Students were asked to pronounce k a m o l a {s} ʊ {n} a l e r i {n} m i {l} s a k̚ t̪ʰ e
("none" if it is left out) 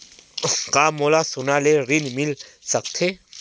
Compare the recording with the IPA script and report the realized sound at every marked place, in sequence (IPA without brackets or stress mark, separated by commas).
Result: s, n, n, l